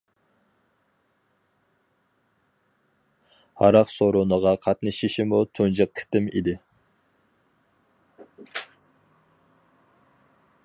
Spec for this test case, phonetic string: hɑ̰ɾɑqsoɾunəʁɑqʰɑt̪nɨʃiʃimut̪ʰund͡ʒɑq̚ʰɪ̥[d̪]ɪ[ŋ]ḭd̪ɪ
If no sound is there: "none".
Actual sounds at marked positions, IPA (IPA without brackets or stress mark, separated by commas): t̪, m